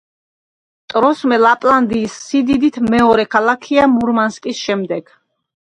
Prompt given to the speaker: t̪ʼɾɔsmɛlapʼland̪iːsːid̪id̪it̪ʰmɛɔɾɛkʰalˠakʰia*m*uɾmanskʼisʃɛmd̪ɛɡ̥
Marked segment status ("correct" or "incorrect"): correct